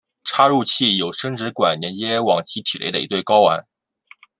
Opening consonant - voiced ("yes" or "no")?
no